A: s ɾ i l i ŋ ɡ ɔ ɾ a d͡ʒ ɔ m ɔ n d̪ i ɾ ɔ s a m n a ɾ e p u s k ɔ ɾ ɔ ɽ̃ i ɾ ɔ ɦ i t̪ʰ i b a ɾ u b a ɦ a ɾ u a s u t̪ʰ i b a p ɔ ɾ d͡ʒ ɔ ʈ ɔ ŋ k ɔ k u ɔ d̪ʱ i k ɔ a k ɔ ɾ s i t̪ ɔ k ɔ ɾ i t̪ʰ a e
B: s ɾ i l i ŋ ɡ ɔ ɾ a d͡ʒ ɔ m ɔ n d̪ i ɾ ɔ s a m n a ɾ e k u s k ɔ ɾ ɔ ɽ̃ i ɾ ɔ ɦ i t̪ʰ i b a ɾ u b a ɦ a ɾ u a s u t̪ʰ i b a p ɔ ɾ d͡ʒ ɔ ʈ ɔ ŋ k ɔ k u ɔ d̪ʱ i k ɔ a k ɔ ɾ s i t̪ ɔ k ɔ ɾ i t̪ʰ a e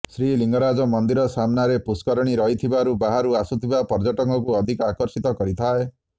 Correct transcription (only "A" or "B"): A